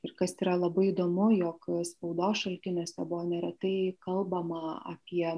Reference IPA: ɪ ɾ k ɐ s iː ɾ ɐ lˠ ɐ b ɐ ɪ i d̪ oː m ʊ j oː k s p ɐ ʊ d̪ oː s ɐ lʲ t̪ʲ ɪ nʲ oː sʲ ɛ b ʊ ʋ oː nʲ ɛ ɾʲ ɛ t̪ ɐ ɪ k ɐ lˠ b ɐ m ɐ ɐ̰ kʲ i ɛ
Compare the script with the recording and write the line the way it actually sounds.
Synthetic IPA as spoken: ɪ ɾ k ɐ s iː ɾ ɐ lˠ ɐ b ɐ ɪ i d̪ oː m ʊ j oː k s p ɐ ʊ d̪ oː ʃ ɐ lʲ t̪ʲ ɪ nʲ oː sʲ ɛ b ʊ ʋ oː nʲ ɛ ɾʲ ɛ t̪ ɐ ɪ k ɐ lˠ b ɐ m ɐ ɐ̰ pʲ i ɛ